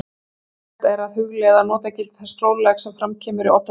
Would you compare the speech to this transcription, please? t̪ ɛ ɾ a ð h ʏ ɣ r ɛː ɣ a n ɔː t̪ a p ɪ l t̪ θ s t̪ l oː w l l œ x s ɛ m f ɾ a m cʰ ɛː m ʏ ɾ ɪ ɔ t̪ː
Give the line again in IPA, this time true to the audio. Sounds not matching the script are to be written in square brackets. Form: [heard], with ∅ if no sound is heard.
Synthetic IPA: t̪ ɛ ɾ a ð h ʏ ɣ [l] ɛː [ð] a n ɔː t̪ a [c] ɪ l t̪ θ s t̪ [ɾ] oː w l l [ɛ] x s ɛ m f ɾ a m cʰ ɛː m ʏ ɾ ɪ ɔ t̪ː